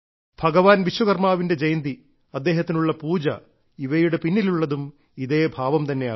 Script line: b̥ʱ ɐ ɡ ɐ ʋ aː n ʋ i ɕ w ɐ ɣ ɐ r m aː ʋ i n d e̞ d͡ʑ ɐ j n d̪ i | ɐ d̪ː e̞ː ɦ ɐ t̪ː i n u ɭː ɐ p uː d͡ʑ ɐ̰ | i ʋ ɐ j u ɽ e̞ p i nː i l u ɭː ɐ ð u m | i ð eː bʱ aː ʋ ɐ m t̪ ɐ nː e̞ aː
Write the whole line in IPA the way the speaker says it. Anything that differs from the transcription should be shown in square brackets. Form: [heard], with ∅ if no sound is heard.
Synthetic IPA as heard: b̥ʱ ɐ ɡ ɐ ʋ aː n ʋ i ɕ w ɐ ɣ ɐ r m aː ʋ i n d e̞ d͡ʑ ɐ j n d̪ i | ɐ d̪ː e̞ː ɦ ɐ t̪ː i n u ɭː ɐ p uː d͡ʑ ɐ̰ | i ʋ ɐ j u ɽ e̞ p i nː i l u ɭː ɐ ð u m | i ð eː bʱ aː ʋ ɐ m t̪ ɐ nː e̞ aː